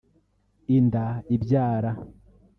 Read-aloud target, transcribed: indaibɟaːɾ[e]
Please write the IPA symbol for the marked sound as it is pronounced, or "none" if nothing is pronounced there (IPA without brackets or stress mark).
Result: a